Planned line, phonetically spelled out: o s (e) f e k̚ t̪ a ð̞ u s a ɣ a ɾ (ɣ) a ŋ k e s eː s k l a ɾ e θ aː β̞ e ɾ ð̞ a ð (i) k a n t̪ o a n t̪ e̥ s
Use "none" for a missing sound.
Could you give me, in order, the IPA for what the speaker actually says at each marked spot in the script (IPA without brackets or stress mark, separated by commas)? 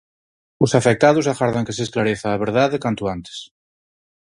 a, ð, e